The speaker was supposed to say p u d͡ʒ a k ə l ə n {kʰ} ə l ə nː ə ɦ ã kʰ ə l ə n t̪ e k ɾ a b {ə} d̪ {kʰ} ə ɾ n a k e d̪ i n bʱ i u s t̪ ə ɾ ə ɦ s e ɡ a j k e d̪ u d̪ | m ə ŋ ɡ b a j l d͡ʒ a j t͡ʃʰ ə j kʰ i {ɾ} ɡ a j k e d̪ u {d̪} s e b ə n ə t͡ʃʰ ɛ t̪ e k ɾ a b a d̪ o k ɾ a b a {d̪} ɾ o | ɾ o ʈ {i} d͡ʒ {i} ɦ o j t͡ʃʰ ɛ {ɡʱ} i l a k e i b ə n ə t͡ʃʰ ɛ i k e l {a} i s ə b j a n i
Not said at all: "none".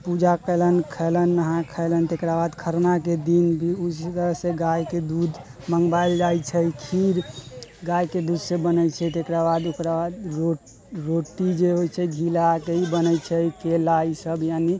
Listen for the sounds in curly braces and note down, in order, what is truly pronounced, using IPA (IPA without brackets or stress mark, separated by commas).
kʰ, a, kʰ, ɾ, d̪, d̪, i, e, ɡʱ, a